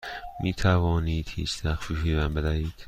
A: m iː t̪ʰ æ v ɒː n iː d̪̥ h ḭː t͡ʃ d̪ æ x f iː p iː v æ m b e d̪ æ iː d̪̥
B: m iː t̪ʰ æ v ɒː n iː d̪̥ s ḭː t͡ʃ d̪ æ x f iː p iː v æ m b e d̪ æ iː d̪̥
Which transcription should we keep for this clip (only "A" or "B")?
A